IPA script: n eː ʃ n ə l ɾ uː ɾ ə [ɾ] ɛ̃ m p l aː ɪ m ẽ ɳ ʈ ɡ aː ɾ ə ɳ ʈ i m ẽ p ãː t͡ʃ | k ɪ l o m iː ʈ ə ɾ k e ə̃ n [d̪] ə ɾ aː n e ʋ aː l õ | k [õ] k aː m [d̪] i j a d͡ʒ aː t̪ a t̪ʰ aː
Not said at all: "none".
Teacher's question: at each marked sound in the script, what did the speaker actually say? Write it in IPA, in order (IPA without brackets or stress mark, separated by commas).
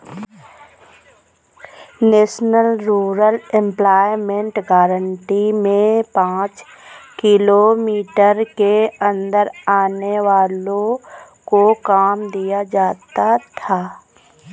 l, d̪, o, d̪